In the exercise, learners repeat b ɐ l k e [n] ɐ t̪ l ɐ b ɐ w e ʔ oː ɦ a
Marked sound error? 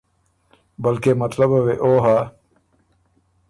yes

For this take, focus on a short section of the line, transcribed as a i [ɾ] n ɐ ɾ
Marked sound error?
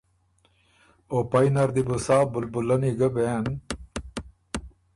yes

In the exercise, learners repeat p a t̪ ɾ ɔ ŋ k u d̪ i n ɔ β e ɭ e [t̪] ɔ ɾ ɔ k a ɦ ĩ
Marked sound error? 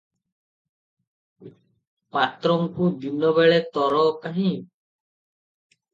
no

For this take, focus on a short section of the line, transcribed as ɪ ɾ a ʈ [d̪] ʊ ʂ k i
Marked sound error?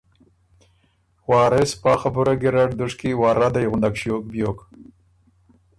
no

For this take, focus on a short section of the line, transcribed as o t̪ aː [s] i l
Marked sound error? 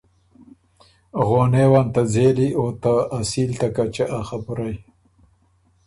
no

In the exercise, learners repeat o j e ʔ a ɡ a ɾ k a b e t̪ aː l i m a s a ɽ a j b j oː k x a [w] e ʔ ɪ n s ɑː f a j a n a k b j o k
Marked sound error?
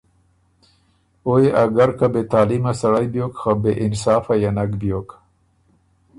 yes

